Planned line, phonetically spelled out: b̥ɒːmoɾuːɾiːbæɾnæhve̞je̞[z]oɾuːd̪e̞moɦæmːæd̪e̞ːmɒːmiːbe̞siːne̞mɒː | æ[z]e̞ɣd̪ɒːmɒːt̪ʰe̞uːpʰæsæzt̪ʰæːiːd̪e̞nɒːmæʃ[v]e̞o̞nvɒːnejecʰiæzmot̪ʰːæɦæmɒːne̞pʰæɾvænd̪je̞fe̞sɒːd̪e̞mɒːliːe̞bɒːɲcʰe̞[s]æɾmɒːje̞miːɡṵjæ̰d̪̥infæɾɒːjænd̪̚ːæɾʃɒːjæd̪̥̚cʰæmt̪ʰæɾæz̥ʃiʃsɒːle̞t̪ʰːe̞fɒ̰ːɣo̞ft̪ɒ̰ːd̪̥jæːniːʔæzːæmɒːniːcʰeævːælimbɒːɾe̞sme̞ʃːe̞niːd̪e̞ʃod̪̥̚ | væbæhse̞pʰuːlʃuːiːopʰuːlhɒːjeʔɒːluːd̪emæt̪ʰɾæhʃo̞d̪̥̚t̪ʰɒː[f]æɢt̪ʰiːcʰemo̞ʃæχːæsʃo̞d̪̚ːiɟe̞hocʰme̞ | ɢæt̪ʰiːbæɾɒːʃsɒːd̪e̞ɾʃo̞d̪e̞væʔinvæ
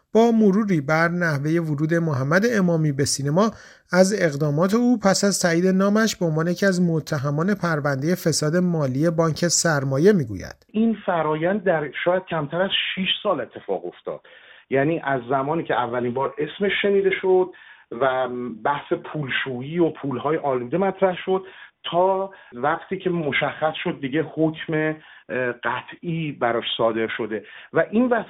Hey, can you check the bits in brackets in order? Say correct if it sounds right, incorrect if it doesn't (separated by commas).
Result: incorrect, correct, incorrect, correct, incorrect